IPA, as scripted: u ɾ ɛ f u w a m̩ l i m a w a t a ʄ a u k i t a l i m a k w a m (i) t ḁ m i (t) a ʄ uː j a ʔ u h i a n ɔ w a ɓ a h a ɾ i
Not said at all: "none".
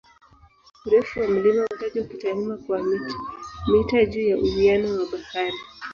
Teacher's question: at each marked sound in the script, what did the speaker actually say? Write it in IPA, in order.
i, t

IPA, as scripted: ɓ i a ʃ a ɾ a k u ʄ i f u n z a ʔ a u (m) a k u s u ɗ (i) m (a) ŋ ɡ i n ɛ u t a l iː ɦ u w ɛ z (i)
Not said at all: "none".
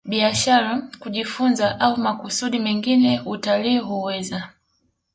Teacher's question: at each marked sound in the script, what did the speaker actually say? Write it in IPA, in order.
m, i, ɛ, a

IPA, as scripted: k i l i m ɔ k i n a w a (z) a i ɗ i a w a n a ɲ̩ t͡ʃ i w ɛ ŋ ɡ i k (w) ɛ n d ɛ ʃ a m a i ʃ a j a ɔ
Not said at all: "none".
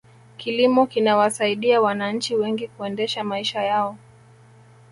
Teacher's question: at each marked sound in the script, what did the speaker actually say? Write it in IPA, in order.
s, u

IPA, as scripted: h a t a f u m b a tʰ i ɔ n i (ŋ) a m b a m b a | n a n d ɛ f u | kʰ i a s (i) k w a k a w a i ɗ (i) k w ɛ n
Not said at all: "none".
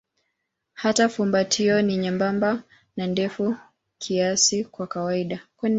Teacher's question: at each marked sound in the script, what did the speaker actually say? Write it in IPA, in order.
ɲ, i, a

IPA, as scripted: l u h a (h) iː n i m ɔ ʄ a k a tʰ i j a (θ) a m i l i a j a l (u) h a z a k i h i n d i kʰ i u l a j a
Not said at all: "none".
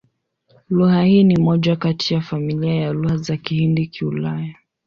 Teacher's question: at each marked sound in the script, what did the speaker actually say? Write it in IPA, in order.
h, f, u

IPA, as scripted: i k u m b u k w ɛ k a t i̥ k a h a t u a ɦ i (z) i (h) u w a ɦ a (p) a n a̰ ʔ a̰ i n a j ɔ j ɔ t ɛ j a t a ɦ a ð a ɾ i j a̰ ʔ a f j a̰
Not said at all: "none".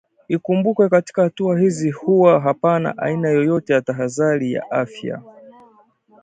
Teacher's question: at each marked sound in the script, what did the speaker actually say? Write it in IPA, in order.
z, h, p

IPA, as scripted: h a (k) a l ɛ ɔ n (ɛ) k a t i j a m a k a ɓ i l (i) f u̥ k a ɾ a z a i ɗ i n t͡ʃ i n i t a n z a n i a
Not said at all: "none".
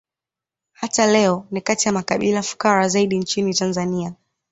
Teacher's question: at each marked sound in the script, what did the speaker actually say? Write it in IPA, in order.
t, i, a

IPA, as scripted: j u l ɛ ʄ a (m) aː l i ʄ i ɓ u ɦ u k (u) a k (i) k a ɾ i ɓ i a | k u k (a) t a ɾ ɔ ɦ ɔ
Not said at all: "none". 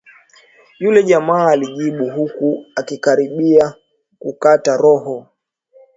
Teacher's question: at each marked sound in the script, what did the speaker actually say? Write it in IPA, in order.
m, u, i, a

